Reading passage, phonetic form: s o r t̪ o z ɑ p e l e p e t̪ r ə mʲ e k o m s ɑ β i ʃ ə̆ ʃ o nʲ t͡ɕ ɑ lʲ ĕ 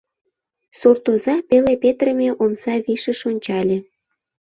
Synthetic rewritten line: s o r t̪ o z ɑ p e l e p e t̪ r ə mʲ e ʔ o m s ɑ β i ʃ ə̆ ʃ o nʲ t͡ɕ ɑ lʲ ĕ